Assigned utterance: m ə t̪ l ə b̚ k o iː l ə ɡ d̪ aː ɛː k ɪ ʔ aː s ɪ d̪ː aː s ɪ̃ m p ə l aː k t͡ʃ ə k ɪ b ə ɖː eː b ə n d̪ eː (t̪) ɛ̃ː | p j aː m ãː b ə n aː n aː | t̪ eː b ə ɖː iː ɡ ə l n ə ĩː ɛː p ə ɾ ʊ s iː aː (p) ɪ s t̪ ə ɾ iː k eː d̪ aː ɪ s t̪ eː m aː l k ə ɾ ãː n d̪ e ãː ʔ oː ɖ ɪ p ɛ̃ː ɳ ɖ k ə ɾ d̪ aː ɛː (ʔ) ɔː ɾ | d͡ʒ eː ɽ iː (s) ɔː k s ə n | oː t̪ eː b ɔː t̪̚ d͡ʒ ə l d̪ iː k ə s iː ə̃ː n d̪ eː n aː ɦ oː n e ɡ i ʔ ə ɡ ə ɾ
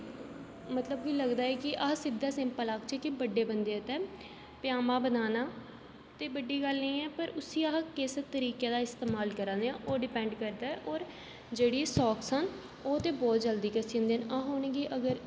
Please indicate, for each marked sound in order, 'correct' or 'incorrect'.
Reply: correct, incorrect: k, correct, correct

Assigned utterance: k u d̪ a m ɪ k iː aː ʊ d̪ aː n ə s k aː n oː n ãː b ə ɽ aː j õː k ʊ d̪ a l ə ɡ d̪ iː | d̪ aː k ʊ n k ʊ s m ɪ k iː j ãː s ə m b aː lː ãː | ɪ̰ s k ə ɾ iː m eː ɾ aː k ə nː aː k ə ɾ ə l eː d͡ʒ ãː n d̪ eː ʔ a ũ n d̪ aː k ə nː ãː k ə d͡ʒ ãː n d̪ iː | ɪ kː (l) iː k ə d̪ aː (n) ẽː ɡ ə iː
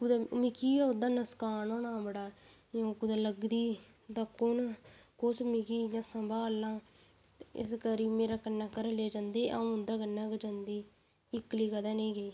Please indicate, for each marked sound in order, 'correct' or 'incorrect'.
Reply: correct, correct

